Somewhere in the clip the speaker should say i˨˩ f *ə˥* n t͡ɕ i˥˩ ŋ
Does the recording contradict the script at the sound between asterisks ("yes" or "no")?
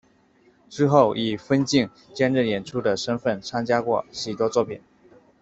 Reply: no